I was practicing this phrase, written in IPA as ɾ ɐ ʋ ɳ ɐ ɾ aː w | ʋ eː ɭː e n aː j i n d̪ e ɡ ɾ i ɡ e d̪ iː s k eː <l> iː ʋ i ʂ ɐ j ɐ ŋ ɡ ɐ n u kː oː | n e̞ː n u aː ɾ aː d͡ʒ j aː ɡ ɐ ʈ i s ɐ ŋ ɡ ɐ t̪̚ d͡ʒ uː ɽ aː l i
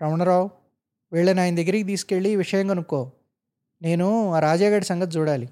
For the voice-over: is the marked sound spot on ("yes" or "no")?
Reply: no